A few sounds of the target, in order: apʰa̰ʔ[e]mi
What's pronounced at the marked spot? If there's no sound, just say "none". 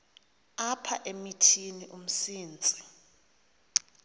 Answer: e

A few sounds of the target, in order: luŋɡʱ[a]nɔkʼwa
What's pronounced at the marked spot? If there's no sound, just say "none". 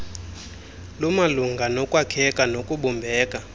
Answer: a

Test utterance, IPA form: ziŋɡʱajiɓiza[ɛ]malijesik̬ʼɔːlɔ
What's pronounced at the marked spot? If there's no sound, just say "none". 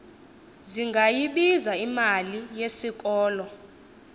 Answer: i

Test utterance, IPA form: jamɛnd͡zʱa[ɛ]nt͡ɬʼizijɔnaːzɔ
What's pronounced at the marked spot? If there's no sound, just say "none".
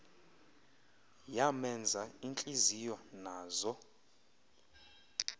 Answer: i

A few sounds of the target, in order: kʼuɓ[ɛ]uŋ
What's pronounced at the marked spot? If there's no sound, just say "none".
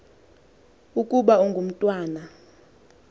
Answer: a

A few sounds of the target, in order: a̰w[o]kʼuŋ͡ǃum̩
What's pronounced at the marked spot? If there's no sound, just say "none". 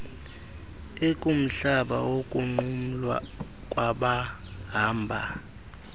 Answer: o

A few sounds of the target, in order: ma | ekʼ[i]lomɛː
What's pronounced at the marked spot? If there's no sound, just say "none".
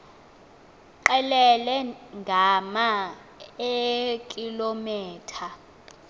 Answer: i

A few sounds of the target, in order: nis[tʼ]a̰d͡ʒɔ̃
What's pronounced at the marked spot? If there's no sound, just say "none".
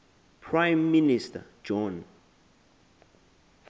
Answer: t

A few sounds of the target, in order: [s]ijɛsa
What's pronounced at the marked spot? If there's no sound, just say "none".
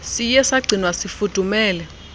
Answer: s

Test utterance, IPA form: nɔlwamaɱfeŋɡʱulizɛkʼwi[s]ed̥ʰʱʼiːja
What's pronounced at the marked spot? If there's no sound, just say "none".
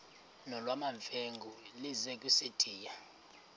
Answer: s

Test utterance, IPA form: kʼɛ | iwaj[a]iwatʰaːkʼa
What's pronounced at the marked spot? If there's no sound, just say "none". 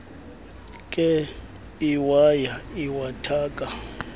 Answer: a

